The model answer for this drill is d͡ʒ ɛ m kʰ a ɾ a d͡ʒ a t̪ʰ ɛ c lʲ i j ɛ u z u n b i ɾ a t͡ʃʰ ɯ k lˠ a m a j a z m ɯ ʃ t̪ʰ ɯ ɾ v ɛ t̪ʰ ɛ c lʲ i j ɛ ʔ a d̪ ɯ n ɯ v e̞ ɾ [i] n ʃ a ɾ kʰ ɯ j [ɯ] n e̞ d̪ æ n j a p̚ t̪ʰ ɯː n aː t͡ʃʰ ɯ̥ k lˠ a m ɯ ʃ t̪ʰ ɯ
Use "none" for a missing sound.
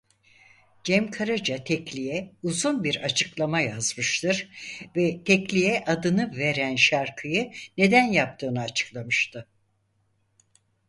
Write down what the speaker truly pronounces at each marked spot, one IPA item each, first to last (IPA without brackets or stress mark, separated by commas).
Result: æ, ɯ